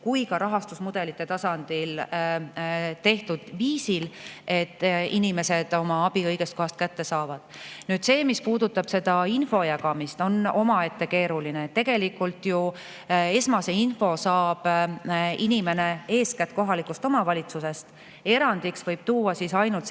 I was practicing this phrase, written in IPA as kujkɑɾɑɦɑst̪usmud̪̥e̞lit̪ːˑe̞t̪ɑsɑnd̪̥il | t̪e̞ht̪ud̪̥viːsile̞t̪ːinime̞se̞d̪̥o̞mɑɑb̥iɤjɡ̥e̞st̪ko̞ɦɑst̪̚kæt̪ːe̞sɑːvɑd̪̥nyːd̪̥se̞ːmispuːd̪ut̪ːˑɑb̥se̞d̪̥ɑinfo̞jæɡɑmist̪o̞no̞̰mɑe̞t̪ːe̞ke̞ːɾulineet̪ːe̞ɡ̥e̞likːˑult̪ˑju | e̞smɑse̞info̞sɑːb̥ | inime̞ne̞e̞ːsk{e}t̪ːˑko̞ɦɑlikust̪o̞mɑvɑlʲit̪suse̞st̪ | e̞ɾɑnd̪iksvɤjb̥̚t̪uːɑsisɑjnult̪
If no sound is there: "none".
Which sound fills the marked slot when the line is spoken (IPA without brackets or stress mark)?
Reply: æ